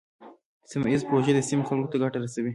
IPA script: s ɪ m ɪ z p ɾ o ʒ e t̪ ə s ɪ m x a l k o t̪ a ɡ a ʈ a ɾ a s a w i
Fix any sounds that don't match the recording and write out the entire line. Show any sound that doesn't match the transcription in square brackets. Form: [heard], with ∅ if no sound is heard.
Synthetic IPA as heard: s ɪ m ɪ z p ɾ o ʒ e [d̪] ə s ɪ m x a l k o t̪ a ɡ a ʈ a ɾ a s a w i